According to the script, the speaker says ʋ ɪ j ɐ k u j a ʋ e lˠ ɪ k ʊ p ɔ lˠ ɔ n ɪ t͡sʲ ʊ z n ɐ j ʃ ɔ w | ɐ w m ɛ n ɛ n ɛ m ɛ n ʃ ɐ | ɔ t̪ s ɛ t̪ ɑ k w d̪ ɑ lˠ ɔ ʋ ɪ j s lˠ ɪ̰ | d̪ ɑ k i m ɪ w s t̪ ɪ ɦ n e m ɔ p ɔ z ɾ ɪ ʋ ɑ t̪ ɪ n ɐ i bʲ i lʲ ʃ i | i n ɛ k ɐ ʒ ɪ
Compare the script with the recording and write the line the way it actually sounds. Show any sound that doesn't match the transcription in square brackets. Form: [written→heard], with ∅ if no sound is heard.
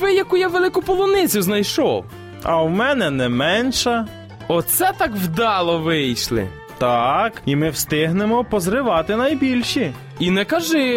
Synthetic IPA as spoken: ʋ ɪ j ɐ k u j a ʋ e lˠ ɪ k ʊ p ɔ lˠ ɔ n ɪ t͡sʲ ʊ z n ɐ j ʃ ɔ w | ɐ w m ɛ n ɛ n ɛ m ɛ n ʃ ɐ | ɔ t̪ s ɛ t̪ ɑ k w d̪ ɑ lˠ ɔ ʋ ɪ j [s→ʃ] lˠ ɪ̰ | [d̪→t̪] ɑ k i m ɪ w s t̪ ɪ ɦ n e m ɔ p ɔ z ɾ ɪ ʋ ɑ t̪ ɪ n ɐ [i→j] bʲ i lʲ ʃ i | i n ɛ k ɐ ʒ ɪ